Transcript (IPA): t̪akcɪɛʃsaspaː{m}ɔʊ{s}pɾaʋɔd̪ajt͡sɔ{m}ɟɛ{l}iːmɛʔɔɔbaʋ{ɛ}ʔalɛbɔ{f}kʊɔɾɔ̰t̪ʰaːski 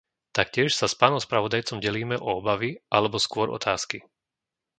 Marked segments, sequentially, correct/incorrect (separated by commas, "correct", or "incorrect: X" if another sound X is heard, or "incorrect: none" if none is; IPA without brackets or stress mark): incorrect: n, correct, correct, correct, incorrect: i, incorrect: s